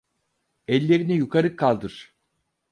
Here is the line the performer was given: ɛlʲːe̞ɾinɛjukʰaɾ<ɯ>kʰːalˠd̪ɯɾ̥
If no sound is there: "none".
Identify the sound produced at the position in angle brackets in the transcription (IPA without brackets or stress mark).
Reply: ɯ